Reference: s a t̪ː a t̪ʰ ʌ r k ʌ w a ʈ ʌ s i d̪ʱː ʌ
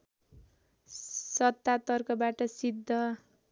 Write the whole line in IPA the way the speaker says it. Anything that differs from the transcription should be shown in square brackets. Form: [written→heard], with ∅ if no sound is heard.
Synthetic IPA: s [a→ʌ] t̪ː a [t̪ʰ→t̪] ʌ r k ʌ [w→b] a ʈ ʌ s i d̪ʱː ʌ